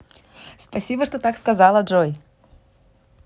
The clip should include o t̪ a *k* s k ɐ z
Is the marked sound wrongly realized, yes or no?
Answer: no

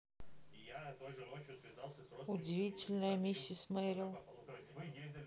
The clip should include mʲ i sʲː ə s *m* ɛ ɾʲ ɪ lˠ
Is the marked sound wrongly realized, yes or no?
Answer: no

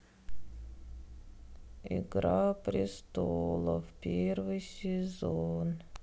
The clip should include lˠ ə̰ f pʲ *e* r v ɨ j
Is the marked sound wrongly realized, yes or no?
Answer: no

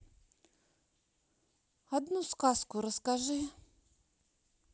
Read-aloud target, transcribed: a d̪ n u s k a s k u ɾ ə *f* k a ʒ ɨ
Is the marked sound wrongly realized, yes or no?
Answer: yes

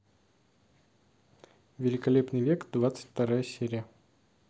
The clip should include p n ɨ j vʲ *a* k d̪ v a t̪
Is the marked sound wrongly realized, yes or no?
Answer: yes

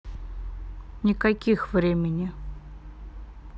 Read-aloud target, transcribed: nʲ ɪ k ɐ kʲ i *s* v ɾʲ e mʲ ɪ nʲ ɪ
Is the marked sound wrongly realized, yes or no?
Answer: yes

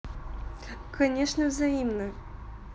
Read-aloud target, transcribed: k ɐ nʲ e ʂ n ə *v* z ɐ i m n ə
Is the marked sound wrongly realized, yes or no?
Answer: no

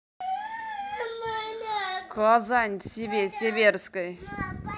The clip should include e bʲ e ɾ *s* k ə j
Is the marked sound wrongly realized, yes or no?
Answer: no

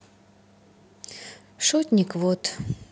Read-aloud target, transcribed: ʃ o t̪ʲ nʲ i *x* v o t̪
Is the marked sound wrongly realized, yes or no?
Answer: yes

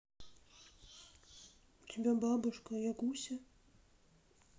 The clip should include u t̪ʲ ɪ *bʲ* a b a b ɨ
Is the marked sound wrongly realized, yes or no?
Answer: no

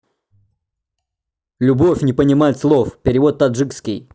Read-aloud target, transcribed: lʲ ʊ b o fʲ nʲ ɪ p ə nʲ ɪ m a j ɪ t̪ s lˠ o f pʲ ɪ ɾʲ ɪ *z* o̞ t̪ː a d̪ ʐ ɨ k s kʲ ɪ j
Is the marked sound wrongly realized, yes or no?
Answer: yes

